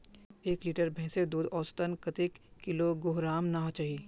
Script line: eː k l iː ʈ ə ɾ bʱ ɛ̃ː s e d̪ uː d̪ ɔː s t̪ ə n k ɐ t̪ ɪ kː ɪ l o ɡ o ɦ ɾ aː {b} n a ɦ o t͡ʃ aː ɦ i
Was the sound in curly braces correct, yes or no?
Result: no